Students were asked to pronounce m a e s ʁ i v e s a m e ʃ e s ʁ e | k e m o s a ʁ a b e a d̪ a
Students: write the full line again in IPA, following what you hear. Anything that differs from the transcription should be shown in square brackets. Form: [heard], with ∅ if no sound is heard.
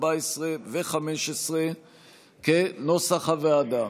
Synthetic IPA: [b] a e s ʁ [e] v e [χ] a m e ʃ e s ʁ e | k e [n] o s a [χ] a [v] e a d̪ a